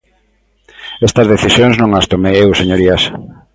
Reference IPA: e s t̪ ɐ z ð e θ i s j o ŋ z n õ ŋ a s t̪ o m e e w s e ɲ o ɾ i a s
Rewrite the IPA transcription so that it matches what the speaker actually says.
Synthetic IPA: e s t̪ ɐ z ð e θ i s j o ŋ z n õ ŋ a s t̪ o m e e w s e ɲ o ɾ i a s